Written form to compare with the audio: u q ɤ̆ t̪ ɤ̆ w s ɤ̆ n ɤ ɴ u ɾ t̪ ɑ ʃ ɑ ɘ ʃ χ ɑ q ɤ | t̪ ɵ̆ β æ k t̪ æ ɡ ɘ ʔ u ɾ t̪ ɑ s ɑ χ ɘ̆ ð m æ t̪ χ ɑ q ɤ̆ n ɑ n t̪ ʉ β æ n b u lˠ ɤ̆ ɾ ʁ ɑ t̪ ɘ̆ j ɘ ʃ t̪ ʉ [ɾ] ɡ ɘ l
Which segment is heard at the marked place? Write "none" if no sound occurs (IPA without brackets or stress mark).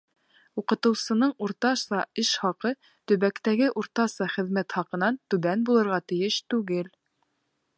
none